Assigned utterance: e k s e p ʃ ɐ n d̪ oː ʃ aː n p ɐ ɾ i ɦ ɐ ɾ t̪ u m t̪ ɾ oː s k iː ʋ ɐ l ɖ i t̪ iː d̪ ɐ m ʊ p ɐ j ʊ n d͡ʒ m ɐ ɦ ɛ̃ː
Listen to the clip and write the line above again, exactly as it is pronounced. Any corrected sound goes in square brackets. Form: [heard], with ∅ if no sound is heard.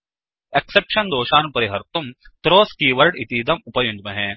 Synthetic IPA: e k s e p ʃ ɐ n d̪ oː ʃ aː n p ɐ ɾ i ɦ ɐ ɾ t̪ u m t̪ ɾ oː s k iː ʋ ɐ [ɾ] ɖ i t̪ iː d̪ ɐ m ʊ p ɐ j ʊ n d͡ʒ m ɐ ɦ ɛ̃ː